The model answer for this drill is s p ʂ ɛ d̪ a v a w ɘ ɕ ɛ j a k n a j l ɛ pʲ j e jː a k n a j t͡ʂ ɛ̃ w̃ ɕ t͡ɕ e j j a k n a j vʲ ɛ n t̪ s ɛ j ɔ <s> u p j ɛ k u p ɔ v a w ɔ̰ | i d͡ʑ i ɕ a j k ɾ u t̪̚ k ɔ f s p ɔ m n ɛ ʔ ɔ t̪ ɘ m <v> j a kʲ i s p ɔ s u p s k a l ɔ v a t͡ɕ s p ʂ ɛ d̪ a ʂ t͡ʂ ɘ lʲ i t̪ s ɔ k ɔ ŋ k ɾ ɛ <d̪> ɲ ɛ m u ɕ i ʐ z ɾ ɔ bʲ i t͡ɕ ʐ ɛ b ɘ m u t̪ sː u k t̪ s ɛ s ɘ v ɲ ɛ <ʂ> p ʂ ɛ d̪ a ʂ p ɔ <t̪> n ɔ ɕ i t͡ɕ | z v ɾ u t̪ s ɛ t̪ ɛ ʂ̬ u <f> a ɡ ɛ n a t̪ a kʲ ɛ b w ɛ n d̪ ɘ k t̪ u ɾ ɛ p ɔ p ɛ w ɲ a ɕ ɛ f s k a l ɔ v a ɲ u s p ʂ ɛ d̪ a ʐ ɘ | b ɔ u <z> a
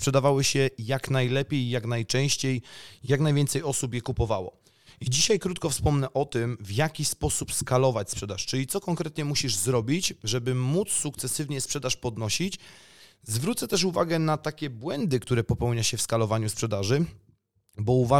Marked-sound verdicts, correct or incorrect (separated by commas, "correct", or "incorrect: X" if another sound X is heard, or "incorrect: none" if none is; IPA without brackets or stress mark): correct, correct, incorrect: t̪, incorrect: s, incorrect: d̪, incorrect: v, incorrect: v